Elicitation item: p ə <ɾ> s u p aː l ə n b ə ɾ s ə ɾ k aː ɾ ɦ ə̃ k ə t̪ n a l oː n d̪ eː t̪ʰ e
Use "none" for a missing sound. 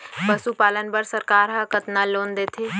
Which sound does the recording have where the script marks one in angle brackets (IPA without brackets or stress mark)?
none